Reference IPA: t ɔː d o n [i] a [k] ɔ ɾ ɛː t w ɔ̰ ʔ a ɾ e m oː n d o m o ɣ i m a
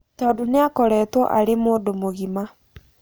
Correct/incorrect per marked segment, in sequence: incorrect: e, correct

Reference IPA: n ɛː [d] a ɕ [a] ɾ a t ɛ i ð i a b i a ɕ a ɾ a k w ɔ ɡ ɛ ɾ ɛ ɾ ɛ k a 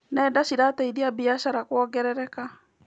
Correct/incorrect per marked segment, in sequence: correct, incorrect: i

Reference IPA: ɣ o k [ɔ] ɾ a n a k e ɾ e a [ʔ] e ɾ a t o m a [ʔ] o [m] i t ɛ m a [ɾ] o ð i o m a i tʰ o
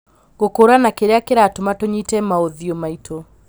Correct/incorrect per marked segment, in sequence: incorrect: o, incorrect: k, incorrect: t, incorrect: ɲ, incorrect: none

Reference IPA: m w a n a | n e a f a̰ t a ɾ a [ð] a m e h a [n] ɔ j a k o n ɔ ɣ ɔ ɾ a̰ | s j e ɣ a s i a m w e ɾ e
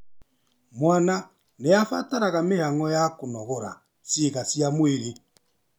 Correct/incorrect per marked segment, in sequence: incorrect: ɣ, incorrect: ŋ

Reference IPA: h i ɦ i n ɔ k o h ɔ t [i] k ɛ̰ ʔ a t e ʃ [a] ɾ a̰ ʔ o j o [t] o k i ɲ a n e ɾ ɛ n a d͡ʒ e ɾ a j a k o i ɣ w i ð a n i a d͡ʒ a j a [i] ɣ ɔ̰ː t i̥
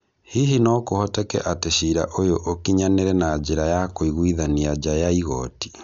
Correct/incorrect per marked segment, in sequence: incorrect: ɛ, incorrect: i, incorrect: ʔ, correct

